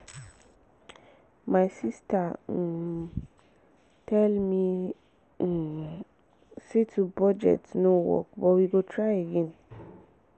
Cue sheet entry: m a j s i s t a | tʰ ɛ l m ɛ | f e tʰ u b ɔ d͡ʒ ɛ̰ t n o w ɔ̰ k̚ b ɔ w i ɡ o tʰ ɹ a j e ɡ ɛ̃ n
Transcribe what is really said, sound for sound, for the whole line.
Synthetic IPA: m a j s i s t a | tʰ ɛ l m i | s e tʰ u b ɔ d͡ʒ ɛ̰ t n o w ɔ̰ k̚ b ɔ w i ɡ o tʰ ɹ a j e ɡ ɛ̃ n